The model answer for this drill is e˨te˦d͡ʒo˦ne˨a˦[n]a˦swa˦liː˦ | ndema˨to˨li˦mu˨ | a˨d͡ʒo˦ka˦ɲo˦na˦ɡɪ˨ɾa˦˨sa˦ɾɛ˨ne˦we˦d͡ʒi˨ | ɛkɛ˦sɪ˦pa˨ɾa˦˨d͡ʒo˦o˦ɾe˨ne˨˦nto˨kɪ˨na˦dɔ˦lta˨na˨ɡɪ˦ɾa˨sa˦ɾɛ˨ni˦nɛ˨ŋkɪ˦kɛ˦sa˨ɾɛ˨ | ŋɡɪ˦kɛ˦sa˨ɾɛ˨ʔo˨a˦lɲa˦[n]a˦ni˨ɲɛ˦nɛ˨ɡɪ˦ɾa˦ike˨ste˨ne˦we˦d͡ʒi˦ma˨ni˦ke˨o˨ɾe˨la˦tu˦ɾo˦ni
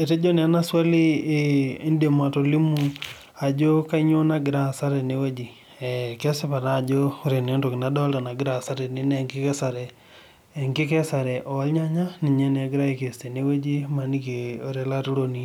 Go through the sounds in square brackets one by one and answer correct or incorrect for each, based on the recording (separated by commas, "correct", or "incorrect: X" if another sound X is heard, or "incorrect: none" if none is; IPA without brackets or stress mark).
correct, incorrect: ɲ